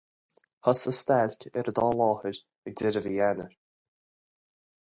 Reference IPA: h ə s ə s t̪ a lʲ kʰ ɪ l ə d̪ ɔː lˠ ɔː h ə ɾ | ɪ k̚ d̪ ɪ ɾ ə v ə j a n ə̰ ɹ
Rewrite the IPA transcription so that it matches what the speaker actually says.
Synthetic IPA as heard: h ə s ə s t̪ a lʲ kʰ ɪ ɾ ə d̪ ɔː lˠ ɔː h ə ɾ | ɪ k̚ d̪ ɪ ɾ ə v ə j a n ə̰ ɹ